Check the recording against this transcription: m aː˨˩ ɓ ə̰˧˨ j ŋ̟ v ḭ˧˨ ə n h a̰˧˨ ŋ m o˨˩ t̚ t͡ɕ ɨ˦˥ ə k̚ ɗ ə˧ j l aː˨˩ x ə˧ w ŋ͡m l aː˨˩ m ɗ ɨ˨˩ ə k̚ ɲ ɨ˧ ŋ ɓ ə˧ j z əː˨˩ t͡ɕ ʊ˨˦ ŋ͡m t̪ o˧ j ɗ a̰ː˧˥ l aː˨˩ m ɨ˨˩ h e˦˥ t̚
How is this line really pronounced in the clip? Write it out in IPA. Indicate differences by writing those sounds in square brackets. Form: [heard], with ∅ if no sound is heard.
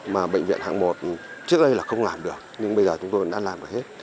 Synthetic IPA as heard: m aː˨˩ ɓ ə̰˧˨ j ŋ̟ v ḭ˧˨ ə n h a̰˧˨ ŋ m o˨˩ t̚ t͡ɕ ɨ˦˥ ə k̚ ɗ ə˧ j l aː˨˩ x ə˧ w ŋ͡m l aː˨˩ m ɗ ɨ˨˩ ə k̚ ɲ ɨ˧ ŋ ɓ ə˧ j z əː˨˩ t͡ɕ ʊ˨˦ ŋ͡m t̪ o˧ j ɗ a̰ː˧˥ l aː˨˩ m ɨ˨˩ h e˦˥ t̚